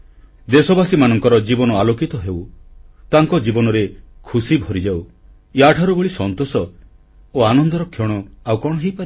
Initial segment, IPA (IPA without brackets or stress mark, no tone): d̪